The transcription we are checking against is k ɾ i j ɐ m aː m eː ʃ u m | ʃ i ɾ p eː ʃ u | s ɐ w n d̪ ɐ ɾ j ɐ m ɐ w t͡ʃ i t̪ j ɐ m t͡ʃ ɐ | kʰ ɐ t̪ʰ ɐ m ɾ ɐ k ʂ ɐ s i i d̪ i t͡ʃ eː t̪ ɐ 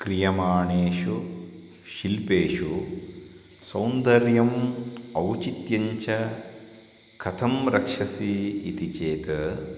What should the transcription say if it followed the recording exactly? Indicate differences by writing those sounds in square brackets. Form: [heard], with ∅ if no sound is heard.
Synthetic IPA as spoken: k ɾ i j ɐ m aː [ɳ] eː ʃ u [∅] | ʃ i [l] p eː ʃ u | s ɐ w n d̪ ɐ ɾ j ɐ m ɐ w t͡ʃ i t̪ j ɐ [ɲ] t͡ʃ ɐ | kʰ ɐ t̪ʰ ɐ m ɾ ɐ k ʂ ɐ s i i [t̪] i t͡ʃ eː t̪ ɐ